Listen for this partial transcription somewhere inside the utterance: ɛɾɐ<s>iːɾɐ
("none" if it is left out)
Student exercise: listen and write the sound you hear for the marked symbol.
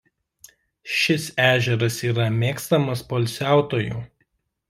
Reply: s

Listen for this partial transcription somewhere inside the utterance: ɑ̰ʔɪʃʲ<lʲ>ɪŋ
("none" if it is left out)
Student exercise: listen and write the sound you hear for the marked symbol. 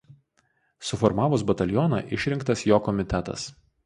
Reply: ɾʲ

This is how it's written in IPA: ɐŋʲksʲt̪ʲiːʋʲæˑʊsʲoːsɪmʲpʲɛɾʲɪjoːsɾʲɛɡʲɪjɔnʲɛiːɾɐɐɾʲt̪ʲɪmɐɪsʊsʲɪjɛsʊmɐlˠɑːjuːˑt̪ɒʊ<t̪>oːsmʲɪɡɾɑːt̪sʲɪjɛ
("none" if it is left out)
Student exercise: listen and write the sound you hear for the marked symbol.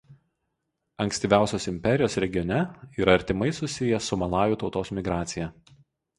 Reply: t̪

